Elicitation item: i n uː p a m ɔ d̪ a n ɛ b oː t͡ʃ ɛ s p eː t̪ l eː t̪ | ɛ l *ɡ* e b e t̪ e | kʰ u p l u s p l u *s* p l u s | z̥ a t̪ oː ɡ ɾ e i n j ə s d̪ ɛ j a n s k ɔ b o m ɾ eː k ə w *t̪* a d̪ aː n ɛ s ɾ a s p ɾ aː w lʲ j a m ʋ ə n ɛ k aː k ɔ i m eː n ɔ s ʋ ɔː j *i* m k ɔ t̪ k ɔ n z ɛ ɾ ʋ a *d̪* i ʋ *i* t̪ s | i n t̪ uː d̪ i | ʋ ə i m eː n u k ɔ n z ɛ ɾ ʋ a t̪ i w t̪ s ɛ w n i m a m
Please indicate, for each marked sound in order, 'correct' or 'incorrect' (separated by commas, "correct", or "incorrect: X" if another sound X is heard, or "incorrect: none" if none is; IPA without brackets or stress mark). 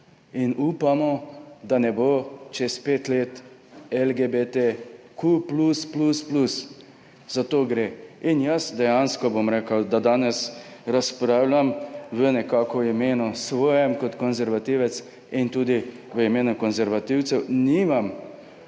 correct, correct, incorrect: d̪, incorrect: ɛ, incorrect: t̪, incorrect: ɛ